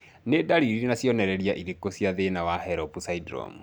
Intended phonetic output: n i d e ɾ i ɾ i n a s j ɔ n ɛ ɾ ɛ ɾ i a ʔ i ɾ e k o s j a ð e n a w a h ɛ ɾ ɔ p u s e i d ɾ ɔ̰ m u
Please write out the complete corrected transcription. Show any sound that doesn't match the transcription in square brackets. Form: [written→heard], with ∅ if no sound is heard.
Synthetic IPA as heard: n [i→e] d [e→a] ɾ i ɾ i n a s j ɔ n ɛ ɾ ɛ ɾ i a ʔ i ɾ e k o s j a ð e n a w a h ɛ ɾ ɔ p u s [e→a] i d ɾ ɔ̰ m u